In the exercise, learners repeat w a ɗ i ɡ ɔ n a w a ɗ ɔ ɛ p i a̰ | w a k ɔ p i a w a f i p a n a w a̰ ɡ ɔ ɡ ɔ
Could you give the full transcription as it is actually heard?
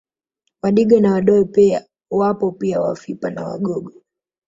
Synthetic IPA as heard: w a ɗ i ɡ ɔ n a w a ɗ ɔ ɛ p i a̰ | w a p ɔ p i a w a f i p a n a w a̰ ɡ ɔ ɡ ɔ